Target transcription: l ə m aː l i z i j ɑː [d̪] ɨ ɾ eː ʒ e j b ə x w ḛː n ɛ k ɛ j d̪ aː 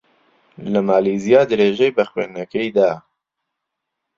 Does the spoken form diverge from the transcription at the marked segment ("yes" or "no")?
no